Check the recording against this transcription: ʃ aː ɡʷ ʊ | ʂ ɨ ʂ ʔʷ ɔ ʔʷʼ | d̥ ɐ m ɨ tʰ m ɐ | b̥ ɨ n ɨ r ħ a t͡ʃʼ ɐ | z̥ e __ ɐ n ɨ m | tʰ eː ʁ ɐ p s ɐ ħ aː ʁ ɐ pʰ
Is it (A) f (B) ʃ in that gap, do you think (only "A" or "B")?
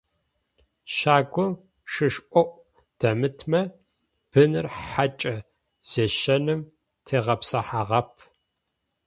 B